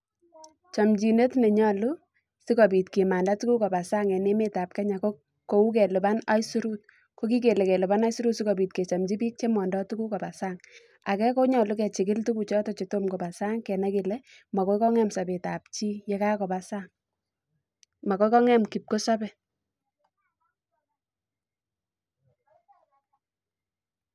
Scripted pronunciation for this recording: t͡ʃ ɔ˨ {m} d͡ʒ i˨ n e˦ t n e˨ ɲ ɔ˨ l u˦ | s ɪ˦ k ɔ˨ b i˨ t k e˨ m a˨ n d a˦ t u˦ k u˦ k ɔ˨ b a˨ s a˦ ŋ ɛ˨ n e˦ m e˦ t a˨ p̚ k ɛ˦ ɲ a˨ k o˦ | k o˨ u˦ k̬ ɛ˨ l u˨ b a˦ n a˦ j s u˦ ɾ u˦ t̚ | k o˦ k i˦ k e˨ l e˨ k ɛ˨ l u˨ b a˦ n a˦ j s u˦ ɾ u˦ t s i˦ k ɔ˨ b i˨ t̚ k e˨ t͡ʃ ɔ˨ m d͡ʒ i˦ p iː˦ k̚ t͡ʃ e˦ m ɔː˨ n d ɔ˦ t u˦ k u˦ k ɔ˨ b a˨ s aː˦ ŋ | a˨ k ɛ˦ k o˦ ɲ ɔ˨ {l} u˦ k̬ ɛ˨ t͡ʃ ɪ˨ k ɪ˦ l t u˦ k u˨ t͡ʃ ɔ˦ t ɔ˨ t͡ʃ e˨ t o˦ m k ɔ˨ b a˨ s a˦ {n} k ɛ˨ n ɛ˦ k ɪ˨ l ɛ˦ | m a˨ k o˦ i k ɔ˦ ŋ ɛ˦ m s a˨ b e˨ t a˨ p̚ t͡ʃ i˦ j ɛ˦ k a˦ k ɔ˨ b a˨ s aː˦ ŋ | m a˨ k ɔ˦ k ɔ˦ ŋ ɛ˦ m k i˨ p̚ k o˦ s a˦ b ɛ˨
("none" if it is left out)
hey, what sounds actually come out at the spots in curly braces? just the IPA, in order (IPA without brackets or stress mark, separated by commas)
m, l, ŋ